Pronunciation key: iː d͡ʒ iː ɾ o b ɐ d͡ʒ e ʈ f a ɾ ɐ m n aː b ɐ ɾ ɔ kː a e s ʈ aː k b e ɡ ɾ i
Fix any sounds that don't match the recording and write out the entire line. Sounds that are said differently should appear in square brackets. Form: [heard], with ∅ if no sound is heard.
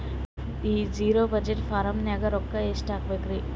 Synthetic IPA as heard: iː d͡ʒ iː ɾ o b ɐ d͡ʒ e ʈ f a ɾ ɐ m n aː [ɡ] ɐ ɾ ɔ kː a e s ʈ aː k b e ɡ ɾ i